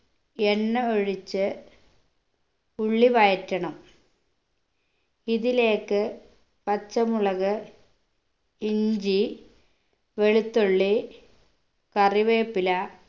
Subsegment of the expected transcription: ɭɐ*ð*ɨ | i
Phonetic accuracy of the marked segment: incorrect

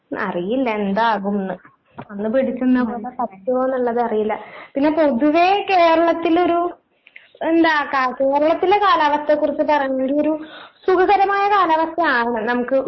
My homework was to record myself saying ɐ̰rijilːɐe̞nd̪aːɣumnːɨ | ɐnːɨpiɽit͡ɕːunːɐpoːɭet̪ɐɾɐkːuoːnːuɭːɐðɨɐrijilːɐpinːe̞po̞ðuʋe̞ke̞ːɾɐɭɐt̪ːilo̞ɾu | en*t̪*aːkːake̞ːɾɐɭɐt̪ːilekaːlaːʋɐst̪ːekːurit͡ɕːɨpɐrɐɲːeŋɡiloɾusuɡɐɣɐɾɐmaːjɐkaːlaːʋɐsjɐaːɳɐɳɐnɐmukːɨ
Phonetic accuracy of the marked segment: incorrect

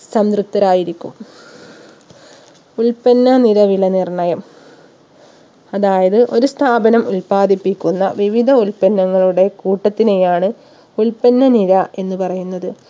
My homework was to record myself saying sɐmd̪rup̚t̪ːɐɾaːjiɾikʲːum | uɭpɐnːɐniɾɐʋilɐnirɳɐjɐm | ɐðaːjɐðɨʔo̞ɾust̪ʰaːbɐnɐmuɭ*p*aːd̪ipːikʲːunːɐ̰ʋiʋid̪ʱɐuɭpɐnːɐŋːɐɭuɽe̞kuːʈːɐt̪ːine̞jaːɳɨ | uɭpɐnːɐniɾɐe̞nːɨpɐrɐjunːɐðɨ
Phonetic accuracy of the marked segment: correct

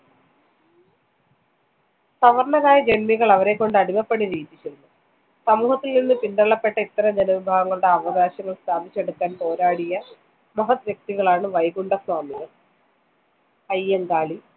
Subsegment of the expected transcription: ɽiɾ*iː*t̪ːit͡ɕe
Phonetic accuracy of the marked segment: correct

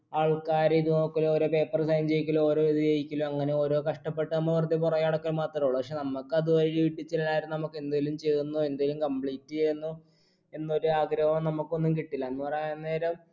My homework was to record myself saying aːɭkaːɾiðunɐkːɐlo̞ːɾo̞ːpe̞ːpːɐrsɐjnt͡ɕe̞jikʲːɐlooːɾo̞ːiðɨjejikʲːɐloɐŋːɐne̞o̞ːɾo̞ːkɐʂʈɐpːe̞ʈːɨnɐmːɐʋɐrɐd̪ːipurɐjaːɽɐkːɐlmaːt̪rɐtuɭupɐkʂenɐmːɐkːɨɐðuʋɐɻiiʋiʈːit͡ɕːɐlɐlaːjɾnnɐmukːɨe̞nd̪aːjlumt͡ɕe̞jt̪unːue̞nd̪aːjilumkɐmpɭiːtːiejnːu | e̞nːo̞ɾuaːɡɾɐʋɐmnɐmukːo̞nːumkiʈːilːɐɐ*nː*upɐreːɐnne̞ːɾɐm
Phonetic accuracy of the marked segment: correct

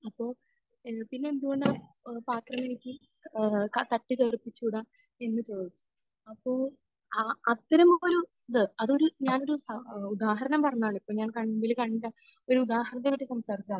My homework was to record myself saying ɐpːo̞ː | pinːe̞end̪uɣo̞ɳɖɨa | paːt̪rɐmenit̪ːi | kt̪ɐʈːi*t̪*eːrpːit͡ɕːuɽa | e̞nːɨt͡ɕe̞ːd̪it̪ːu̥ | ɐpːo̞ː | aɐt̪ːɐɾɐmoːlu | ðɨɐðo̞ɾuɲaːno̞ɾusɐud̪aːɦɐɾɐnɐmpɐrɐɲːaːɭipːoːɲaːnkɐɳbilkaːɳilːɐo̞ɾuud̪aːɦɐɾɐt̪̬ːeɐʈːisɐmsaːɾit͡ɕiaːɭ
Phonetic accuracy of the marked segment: correct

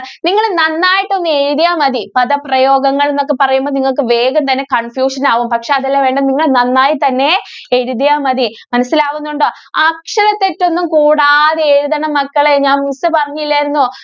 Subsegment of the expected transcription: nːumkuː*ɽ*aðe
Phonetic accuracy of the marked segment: correct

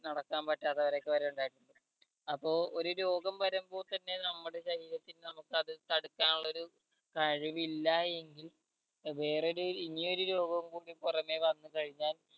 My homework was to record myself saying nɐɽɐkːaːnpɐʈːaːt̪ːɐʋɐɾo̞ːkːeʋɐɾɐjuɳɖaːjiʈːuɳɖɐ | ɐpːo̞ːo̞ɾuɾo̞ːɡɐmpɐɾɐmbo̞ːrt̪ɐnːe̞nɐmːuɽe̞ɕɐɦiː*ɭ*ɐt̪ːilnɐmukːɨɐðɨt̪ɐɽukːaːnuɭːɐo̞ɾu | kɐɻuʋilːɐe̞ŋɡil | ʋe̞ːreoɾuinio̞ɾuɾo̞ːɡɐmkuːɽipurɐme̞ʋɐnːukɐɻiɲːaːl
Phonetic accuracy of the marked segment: incorrect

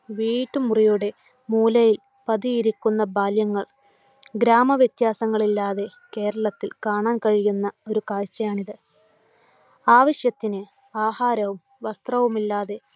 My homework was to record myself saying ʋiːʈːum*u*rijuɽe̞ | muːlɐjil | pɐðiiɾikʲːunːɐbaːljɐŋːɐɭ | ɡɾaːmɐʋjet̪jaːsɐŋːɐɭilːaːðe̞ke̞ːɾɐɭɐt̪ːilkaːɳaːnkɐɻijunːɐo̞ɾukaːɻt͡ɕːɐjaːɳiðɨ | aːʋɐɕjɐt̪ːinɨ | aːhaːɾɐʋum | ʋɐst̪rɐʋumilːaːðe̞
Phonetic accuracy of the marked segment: correct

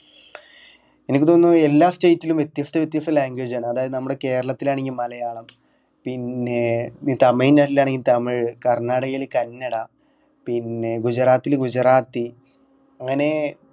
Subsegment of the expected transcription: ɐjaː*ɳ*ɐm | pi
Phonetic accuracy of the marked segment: correct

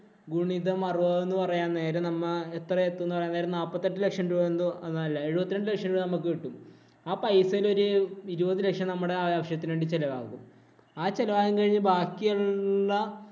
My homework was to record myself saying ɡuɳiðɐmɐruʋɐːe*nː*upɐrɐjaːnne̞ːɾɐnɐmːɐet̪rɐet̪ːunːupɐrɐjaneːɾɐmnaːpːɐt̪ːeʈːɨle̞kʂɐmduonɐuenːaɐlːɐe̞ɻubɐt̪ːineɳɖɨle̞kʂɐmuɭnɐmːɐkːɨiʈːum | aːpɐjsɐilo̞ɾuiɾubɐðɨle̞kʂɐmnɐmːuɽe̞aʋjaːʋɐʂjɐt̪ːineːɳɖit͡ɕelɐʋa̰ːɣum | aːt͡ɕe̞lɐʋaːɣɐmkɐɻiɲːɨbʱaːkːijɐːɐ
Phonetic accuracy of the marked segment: correct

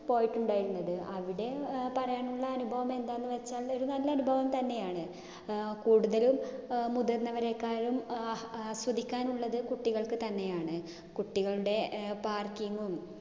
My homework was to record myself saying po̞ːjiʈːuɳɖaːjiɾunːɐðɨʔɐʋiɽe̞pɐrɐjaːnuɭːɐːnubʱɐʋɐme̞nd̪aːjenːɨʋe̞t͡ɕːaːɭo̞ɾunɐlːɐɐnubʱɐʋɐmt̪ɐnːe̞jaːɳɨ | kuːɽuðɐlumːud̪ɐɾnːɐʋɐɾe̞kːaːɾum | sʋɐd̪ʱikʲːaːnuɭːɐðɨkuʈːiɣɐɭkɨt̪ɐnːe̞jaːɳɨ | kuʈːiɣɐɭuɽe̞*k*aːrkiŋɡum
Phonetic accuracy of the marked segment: incorrect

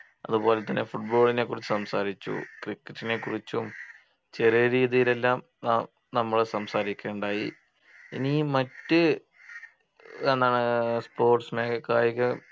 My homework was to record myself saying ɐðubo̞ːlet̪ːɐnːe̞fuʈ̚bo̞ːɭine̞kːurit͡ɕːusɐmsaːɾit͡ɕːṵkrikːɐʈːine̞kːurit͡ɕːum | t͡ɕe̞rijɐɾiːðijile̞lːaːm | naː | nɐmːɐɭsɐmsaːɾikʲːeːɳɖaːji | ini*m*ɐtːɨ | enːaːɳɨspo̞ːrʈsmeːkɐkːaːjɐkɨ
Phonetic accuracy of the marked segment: correct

